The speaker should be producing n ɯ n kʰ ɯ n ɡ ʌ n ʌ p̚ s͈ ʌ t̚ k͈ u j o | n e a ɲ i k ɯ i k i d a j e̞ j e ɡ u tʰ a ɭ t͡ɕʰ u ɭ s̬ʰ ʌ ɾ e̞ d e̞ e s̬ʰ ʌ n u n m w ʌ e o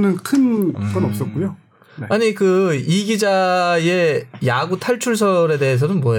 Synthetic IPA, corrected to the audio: n ɯ n kʰ ɯ n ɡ ʌ n ʌ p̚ s͈ ʌ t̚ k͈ u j o | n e a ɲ i k ɯ i ɡ i d͡ʑ a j e̞ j a ɡ u tʰ a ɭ t͡ɕʰ u ɭ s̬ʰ ʌ ɾ e̞ d e̞ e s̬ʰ ʌ n ɯ n m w ʌ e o